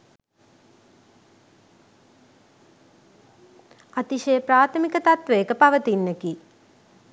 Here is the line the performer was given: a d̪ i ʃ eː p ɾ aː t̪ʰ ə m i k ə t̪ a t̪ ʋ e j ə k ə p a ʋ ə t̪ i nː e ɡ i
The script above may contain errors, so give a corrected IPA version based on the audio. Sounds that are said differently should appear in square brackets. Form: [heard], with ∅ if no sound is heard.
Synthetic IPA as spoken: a [t̪] i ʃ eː p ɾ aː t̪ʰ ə m i k ə t̪ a t̪ ʋ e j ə k ə p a ʋ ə t̪ i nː e [k] i

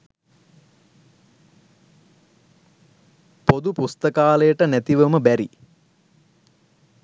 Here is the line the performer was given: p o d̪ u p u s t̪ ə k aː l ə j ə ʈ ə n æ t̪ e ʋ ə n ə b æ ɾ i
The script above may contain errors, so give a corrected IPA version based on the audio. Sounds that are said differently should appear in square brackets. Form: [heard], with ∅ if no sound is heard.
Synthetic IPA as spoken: p o d̪ u p u s t̪ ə k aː l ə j ə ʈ ə n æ t̪ [i] ʋ ə [m] ə b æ ɾ i

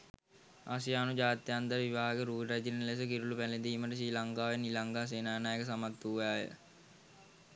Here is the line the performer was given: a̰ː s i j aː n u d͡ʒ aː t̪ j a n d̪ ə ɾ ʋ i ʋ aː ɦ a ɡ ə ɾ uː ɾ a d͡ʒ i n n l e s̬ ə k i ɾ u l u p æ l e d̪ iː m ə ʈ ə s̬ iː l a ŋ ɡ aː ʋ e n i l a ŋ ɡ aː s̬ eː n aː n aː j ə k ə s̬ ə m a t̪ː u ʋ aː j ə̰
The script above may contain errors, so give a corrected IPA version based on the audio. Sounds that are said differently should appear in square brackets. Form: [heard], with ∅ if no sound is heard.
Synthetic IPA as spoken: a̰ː s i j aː n u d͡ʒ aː t̪ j a n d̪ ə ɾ ʋ i ʋ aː ɦ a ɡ ə ɾ uː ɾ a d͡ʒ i n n l e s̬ ə k i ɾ u l u p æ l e d̪ iː m ə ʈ ə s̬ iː l a ŋ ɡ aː ʋ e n i l a ŋ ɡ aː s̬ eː n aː n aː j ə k ə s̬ [a] m a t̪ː u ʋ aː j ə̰

